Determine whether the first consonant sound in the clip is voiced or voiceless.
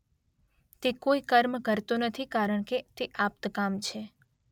voiceless